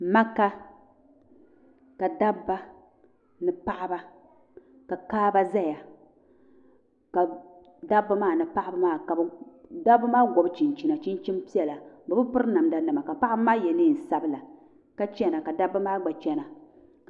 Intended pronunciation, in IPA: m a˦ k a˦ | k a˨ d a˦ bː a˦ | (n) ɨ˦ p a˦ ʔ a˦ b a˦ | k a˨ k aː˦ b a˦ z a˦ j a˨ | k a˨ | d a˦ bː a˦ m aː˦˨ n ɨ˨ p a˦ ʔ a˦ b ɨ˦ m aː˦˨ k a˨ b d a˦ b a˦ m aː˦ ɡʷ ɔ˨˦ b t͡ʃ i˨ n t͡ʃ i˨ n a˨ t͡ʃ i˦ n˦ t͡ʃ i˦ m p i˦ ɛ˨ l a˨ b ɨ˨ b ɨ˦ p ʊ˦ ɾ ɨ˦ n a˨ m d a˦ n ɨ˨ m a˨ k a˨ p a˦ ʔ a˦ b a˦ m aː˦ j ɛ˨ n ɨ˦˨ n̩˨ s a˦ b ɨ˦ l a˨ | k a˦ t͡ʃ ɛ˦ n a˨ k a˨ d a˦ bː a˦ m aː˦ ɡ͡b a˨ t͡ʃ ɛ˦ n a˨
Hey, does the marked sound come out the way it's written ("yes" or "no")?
yes